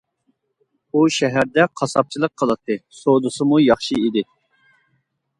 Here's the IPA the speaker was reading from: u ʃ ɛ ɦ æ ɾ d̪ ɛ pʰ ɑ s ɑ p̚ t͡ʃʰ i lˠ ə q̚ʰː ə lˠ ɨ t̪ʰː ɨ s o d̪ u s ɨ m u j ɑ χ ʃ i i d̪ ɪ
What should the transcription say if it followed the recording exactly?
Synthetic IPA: u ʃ ɛ ɦ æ ɾ d̪ ɛ qʰ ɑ s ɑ p̚ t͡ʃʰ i lˠ ə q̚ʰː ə lˠ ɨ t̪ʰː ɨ s o d̪ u s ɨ m u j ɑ χ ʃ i i d̪ ɪ